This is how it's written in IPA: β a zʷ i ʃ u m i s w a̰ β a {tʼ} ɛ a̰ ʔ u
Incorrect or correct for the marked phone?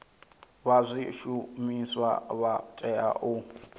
correct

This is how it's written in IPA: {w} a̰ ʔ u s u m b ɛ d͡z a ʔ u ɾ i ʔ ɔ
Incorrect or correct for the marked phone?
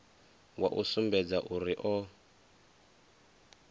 correct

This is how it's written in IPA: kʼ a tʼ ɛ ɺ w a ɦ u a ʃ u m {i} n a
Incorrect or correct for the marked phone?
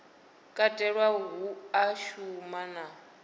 incorrect: a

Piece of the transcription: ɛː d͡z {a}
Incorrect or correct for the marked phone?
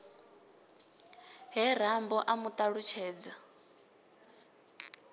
correct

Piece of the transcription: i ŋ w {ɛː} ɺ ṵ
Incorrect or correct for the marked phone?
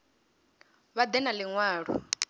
incorrect: aː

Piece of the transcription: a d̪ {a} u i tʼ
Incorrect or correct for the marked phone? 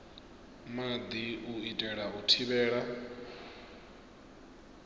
incorrect: i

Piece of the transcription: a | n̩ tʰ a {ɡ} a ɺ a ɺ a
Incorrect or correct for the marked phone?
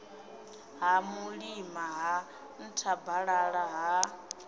incorrect: b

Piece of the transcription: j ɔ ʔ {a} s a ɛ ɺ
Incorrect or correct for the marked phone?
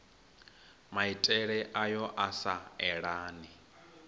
correct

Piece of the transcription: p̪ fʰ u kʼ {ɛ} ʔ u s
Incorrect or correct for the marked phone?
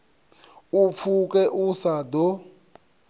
correct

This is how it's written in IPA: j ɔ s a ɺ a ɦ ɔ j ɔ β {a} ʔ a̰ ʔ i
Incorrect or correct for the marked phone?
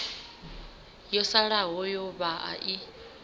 correct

